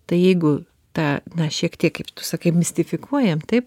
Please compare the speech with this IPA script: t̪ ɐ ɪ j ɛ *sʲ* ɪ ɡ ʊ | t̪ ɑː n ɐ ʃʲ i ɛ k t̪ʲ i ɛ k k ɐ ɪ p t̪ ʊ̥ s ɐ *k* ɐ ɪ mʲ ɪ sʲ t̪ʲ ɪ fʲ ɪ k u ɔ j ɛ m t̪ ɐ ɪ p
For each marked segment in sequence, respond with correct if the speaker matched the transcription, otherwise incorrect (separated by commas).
incorrect, correct